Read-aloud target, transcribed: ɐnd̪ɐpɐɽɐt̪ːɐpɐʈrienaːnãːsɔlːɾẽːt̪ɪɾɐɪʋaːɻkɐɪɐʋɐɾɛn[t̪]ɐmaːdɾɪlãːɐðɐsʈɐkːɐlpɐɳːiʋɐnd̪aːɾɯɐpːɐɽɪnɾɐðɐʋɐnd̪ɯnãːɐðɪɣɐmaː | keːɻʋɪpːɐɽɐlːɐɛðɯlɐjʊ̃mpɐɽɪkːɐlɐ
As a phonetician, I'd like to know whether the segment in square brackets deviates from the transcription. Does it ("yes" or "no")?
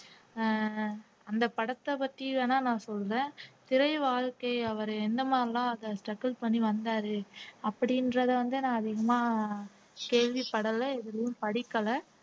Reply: yes